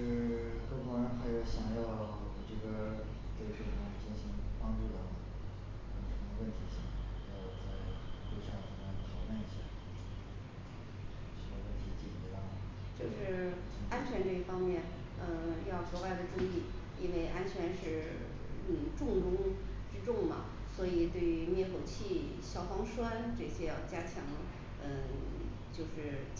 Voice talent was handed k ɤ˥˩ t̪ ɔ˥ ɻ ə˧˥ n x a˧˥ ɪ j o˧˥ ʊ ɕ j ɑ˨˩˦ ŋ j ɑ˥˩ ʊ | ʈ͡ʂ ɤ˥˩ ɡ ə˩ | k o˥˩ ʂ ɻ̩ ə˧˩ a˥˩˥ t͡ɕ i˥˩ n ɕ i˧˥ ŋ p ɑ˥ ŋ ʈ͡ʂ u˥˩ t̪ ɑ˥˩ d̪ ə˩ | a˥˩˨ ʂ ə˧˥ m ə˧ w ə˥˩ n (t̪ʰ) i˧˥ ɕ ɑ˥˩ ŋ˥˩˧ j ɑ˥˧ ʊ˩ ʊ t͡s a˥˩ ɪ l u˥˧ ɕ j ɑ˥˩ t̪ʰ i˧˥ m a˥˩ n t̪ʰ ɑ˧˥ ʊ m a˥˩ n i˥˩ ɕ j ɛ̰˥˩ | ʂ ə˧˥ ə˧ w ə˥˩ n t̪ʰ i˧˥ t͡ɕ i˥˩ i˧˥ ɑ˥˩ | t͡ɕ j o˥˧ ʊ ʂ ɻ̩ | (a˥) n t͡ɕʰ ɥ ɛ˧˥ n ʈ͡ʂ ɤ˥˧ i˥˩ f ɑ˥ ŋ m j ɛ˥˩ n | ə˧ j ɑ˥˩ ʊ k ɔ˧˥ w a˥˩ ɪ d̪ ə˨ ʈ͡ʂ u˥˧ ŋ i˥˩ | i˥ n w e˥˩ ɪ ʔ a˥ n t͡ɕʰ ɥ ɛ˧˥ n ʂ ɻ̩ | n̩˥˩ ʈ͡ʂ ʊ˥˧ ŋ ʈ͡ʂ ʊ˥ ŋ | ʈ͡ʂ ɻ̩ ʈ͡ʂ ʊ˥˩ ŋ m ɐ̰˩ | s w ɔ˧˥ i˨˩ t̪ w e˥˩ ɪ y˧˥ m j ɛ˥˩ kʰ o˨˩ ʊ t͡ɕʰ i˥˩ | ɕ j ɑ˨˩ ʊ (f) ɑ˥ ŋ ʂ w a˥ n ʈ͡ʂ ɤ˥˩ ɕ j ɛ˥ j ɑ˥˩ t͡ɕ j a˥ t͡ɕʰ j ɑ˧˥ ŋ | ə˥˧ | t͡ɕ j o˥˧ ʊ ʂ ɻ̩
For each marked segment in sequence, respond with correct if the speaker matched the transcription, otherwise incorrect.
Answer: correct, correct, correct

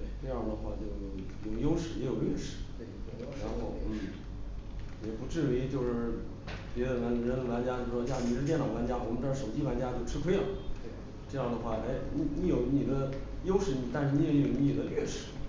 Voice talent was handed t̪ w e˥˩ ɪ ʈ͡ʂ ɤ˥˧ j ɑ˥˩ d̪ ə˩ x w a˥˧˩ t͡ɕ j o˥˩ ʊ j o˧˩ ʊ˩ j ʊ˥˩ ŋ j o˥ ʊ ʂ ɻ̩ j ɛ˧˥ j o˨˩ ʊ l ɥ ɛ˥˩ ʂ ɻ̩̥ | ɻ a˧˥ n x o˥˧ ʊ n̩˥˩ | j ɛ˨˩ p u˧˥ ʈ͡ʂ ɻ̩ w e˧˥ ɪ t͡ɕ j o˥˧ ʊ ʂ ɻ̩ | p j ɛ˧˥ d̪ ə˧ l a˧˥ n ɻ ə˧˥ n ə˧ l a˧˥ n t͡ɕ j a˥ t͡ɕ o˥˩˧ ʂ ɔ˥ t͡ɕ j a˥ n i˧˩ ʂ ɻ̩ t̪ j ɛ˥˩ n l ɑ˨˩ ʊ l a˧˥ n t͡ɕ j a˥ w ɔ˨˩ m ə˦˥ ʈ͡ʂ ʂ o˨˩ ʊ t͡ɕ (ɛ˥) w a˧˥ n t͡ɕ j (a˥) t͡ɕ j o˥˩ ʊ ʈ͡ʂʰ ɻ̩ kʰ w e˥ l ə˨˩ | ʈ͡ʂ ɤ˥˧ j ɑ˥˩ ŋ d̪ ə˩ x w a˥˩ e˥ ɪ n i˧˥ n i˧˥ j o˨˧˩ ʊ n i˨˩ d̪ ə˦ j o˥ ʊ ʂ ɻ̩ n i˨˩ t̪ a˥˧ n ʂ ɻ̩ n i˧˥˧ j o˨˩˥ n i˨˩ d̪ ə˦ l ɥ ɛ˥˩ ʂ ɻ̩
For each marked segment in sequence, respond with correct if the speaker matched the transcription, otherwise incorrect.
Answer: incorrect, correct

